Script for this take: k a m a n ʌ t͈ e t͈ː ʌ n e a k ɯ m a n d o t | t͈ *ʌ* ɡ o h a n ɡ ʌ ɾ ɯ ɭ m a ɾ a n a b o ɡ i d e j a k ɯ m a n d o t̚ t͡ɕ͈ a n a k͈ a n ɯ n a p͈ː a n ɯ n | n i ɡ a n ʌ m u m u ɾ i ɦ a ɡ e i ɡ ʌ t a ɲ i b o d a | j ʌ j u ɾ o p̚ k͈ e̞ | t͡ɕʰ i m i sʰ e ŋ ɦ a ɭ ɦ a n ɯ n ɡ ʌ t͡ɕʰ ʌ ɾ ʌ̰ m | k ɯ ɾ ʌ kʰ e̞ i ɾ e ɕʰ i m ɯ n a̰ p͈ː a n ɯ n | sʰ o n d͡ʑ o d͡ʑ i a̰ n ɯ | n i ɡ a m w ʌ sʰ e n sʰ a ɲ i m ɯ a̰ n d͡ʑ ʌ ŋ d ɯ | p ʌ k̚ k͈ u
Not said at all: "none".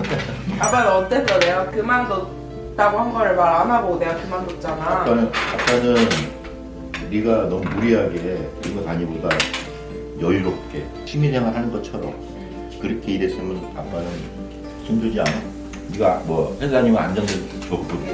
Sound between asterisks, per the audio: a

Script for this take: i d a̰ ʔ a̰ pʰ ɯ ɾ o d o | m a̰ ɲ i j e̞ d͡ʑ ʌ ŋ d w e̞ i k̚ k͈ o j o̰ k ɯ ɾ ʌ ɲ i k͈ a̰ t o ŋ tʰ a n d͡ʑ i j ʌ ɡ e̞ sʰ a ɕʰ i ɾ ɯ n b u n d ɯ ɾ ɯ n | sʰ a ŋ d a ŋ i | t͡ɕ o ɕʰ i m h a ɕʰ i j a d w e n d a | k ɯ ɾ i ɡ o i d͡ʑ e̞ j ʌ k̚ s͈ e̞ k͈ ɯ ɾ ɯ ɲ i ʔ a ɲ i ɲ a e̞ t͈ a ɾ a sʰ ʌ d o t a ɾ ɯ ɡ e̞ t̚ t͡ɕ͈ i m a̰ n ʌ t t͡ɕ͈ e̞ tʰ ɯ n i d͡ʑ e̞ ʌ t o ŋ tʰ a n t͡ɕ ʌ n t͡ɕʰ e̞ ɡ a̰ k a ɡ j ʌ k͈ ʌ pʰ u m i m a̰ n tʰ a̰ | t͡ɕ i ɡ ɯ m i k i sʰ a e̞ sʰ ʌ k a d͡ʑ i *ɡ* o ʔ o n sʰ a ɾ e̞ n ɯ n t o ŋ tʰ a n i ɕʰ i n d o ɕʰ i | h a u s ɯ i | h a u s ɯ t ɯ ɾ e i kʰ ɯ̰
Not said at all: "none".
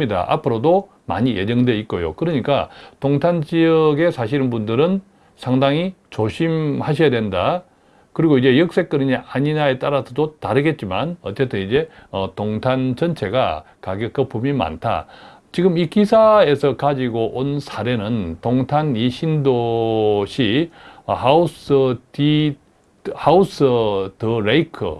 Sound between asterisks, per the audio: ɡ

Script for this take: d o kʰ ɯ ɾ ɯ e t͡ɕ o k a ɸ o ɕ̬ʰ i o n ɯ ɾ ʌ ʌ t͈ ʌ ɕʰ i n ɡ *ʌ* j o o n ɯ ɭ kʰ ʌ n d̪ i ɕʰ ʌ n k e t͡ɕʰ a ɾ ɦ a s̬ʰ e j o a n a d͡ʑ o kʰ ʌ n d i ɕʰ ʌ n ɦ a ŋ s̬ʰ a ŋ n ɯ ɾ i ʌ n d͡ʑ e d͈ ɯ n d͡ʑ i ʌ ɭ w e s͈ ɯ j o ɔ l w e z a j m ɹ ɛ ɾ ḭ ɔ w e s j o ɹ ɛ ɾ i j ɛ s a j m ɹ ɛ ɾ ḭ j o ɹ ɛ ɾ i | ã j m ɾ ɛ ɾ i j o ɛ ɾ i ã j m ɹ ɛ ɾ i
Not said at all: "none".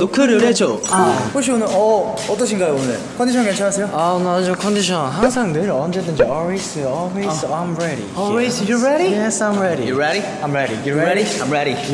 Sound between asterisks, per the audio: a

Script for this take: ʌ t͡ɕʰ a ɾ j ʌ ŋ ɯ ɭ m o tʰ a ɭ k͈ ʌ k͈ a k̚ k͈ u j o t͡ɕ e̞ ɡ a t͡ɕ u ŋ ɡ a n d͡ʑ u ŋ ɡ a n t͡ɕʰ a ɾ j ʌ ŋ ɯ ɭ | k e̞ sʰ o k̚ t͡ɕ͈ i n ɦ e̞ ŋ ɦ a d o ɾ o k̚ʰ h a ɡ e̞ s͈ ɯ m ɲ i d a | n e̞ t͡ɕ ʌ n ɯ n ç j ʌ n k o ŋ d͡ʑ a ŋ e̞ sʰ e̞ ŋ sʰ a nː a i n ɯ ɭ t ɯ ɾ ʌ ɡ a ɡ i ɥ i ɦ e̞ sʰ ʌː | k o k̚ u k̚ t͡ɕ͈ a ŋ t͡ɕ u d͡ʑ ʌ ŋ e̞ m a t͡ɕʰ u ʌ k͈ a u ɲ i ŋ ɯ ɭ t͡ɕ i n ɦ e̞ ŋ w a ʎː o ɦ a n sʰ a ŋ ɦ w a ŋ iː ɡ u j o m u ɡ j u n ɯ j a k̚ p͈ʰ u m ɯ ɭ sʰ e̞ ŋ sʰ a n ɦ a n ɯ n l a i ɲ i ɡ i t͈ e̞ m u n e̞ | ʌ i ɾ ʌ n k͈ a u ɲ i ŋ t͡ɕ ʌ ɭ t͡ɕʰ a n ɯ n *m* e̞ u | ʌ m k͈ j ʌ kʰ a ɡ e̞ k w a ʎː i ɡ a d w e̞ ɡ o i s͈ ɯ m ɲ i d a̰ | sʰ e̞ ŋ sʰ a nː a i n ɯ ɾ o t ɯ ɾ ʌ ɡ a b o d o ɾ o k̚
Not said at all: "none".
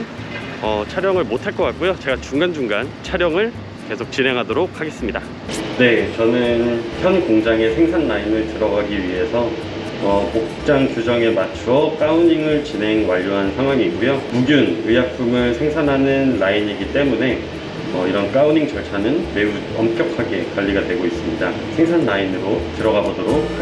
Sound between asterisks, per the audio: m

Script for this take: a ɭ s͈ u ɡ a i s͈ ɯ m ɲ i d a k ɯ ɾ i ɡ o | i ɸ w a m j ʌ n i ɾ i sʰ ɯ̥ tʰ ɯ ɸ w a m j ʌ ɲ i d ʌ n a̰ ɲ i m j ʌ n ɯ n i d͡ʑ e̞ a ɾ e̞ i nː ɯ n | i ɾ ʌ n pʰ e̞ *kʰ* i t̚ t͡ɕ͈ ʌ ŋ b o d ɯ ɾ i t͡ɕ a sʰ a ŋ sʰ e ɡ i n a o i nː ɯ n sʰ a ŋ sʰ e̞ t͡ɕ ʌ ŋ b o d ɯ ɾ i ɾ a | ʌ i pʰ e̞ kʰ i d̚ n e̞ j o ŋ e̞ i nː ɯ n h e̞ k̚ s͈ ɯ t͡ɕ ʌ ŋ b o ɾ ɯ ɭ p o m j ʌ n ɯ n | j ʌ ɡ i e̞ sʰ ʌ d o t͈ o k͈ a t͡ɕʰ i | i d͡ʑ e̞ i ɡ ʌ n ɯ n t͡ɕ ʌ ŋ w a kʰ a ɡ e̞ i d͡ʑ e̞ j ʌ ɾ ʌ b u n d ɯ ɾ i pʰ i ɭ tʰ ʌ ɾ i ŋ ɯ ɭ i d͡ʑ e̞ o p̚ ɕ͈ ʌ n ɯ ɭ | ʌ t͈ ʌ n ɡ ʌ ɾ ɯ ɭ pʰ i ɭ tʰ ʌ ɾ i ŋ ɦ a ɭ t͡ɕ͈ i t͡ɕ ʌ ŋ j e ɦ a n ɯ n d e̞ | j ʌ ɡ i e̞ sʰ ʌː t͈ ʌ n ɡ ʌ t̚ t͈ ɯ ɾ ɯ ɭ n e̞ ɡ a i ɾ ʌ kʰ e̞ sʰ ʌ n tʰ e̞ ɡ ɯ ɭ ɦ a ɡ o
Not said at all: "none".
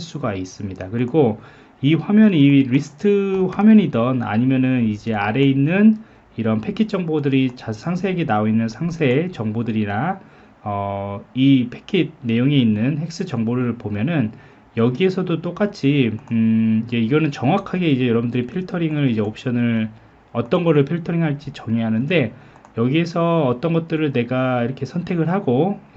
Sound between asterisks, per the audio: kʰ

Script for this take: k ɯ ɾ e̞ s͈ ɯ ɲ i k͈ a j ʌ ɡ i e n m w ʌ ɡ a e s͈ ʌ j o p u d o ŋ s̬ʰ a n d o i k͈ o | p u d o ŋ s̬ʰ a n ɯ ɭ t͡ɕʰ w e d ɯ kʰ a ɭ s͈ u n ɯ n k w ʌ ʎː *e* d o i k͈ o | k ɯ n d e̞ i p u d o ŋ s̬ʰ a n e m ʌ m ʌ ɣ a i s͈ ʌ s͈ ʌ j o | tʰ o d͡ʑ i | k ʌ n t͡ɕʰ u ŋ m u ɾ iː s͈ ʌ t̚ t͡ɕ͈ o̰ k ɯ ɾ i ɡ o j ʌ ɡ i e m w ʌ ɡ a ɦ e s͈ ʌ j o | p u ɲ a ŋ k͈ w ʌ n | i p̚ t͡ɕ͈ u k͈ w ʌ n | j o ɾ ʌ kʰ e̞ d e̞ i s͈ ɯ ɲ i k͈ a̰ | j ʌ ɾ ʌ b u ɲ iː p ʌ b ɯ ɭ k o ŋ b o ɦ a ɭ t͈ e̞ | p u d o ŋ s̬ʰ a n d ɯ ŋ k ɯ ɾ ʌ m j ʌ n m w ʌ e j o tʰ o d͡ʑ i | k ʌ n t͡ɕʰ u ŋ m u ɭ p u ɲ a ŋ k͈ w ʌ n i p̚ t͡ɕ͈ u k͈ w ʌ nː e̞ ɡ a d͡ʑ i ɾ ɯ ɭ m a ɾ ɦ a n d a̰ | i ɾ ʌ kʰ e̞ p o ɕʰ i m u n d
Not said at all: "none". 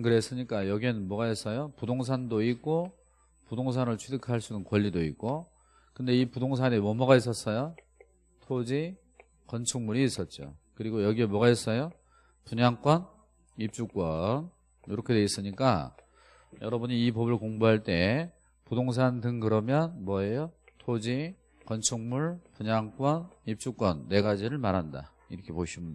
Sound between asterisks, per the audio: i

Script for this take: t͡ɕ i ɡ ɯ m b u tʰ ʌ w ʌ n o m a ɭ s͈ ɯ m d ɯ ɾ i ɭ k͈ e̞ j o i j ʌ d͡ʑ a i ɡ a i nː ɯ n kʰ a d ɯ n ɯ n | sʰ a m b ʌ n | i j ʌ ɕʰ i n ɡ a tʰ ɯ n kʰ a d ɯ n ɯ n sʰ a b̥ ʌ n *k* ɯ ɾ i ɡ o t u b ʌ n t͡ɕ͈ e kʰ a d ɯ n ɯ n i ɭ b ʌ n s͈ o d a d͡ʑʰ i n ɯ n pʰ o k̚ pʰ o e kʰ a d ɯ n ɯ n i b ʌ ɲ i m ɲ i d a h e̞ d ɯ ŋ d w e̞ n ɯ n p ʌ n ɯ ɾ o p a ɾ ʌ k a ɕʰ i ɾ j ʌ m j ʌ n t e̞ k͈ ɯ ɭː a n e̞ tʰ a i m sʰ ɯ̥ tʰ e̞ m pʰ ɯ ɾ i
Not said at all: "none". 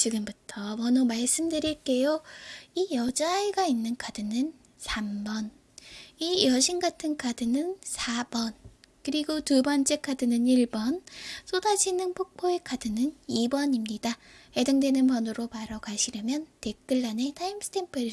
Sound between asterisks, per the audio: k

